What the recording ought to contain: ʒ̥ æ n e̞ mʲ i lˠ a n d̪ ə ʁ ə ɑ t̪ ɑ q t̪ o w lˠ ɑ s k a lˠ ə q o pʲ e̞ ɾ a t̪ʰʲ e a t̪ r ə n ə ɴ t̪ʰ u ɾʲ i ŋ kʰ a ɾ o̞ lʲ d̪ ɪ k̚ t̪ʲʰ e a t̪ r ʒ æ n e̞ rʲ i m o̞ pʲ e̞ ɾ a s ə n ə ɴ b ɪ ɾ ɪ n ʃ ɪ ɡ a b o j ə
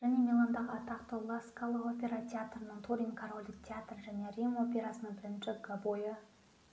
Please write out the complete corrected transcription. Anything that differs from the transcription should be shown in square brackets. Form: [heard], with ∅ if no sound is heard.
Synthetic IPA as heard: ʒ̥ æ n e̞ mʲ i lˠ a n d̪ [ɑ] ʁ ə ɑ t̪ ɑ q t̪ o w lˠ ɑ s k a lˠ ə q o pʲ e̞ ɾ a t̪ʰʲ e a t̪ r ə n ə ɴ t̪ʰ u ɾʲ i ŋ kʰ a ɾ o̞ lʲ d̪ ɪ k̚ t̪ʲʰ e a t̪ r ʒ æ n e̞ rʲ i m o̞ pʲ e̞ ɾ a s ə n ə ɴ b ɪ ɾ ɪ n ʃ ɪ ɡ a b o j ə